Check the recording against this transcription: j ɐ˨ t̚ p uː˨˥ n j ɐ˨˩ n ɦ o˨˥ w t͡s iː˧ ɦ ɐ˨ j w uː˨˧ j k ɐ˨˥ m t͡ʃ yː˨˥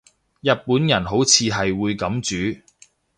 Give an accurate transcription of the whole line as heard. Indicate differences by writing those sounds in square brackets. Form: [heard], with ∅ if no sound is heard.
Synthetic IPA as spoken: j ɐ˨ t̚ p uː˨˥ n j ɐ˨˩ n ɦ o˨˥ w [t͡sʰ] iː˧ ɦ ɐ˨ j w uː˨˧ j k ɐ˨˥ m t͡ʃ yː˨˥